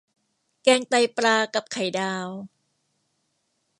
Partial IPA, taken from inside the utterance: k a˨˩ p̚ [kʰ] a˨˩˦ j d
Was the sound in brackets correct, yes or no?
yes